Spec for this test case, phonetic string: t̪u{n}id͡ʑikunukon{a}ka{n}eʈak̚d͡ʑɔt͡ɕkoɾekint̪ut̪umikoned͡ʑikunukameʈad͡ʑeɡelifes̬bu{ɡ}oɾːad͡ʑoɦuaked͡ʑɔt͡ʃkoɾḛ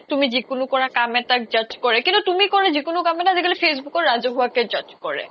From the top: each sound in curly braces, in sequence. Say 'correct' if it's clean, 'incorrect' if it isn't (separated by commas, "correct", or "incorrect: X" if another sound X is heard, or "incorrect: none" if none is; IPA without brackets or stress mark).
incorrect: m, correct, incorrect: m, incorrect: k